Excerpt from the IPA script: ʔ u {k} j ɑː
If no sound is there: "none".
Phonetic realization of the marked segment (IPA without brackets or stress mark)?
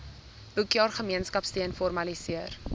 k